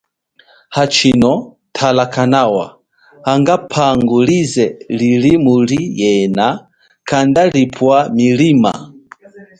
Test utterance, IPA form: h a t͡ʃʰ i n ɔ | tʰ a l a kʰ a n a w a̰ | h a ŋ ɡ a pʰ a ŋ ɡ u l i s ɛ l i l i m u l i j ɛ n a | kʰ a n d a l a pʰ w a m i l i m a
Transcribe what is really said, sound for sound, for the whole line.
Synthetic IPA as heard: h a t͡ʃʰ i n ɔ | tʰ a l a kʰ a n a w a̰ | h a ŋ ɡ a pʰ a ŋ ɡ u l i z ɛ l i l i m u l i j ɛ n a | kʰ a n d a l i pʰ w a m i l i m a